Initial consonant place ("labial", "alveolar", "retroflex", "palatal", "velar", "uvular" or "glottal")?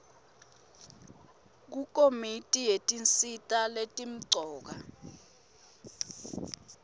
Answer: velar